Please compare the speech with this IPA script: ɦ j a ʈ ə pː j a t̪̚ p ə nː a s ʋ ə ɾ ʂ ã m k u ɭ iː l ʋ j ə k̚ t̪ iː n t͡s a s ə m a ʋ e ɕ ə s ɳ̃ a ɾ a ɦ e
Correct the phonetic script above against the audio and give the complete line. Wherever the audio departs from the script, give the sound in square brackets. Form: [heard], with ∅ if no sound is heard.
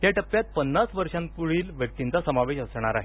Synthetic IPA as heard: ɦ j a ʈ ə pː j a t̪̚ p ə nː a s ʋ ə ɾ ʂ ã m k u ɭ iː l ʋ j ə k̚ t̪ [i] n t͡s a s ə m a ʋ e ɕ ə s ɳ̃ a ɾ a ɦ e